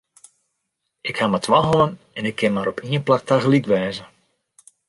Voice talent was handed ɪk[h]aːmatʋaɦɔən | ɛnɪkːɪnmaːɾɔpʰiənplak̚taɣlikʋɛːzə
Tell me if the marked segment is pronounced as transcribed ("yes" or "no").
yes